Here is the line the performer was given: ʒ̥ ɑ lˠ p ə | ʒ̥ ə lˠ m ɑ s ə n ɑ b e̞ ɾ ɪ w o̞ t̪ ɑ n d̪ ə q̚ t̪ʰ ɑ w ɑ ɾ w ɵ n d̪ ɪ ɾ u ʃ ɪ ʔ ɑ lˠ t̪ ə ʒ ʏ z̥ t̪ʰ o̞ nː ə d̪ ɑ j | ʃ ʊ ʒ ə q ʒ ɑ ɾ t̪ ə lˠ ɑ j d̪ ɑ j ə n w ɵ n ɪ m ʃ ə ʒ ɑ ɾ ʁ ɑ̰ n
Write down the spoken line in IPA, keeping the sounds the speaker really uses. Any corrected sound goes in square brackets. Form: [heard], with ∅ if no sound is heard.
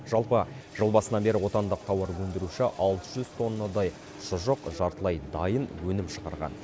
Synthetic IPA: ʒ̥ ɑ lˠ p ə | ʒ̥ ə lˠ [b] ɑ s ə n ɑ b e̞ ɾ ɪ w o̞ t̪ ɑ n d̪ ə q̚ t̪ʰ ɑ w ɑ ɾ w ɵ n d̪ ɪ ɾ u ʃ ɪ ʔ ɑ lˠ t̪ ə ʒ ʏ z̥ t̪ʰ o̞ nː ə d̪ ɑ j | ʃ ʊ ʒ ə q ʒ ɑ ɾ t̪ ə lˠ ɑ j d̪ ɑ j ə n w ɵ n ɪ m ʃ ə [ʁ] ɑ ɾ ʁ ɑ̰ n